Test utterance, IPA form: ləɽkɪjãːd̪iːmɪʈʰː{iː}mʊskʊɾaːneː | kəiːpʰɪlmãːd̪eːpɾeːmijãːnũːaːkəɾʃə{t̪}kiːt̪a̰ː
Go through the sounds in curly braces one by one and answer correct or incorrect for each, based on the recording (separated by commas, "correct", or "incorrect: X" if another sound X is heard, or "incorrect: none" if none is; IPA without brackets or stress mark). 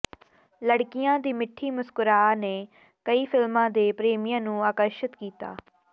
correct, correct